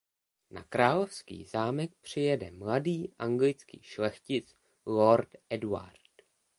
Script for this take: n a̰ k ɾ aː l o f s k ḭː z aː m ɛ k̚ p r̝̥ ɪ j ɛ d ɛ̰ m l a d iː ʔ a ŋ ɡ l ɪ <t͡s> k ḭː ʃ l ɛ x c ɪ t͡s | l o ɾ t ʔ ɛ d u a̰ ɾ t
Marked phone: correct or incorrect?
correct